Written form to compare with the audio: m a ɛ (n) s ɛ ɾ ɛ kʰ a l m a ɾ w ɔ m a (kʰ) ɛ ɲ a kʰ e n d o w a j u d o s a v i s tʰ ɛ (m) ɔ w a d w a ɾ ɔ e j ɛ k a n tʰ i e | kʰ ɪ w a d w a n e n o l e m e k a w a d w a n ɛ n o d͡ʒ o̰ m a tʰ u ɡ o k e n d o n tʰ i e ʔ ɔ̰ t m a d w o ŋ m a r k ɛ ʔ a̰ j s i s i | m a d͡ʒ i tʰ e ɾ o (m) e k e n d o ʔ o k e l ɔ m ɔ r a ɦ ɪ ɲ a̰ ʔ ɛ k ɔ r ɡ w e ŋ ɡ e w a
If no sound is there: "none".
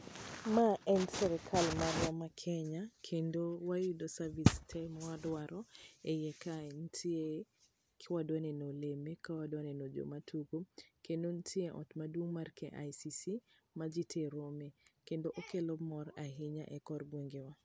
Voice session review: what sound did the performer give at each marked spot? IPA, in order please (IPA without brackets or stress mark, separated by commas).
n, kʰ, m, m